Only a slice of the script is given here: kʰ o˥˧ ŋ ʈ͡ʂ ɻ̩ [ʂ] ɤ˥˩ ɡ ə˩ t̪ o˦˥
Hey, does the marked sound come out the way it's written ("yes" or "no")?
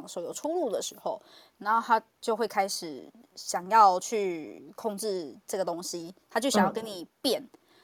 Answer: no